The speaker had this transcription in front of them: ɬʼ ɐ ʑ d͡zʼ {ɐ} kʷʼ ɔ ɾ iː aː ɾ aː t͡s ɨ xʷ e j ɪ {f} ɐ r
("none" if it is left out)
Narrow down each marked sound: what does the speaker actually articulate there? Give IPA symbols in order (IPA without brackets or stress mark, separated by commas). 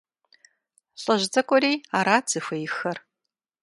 ɐ, x